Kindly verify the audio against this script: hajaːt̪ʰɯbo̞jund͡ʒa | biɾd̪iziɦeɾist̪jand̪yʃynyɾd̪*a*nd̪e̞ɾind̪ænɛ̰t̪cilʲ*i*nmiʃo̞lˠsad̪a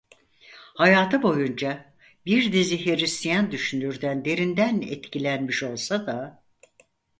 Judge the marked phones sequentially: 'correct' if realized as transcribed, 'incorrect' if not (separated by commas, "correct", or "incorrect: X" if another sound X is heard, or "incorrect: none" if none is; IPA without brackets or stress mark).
incorrect: æ, incorrect: æ